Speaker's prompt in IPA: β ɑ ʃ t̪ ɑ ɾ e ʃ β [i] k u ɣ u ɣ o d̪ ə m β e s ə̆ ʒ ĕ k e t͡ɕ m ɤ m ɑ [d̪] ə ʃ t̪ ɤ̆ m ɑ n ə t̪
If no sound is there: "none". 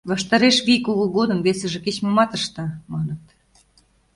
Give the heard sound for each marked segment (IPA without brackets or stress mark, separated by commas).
i, t̪